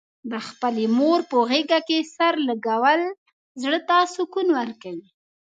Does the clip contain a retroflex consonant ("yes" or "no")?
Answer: yes